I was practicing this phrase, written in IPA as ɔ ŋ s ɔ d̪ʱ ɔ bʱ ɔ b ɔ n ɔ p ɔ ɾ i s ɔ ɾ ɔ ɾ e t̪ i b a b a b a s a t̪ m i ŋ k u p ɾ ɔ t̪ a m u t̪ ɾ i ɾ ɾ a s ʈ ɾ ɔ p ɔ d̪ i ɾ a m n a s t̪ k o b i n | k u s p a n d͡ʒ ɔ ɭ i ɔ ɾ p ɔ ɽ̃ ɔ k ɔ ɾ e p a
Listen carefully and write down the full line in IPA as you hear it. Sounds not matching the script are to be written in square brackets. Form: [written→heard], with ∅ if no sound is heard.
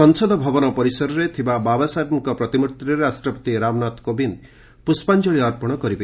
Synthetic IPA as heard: ɔ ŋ s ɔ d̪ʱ ɔ bʱ ɔ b ɔ n ɔ p ɔ ɾ i s ɔ ɾ ɔ ɾ e [t̪→t̪ʰ] i b a b a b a s a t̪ m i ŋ k [u→ɔ] p ɾ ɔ t̪ [a→i] m u t̪ ɾ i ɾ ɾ a s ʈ ɾ ɔ p ɔ [d̪→t̪] i ɾ a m n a [s→∅] t̪ k o b i n | [k→p] u s p a n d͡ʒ ɔ ɭ i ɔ ɾ p ɔ ɽ̃ ɔ k ɔ ɾ [e→i] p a